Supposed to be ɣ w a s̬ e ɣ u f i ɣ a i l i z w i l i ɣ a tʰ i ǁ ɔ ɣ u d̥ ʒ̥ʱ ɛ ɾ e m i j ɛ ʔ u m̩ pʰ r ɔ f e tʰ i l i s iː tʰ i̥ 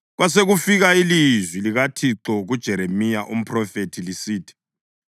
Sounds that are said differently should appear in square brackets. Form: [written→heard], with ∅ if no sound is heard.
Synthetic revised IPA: ɣ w a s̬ e ɣ u f i ɣ a i l i z w i l i ɣ a tʰ i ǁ ɔ ɣ u d̥ ʒ̥ʱ ɛ ɾ e m i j [ɛ→a] ʔ u m̩ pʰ r ɔ f e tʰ i l i s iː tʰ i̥